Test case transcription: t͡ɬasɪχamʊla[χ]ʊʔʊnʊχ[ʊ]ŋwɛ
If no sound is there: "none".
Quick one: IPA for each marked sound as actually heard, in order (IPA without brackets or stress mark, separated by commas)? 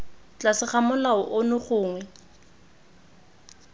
none, ʊː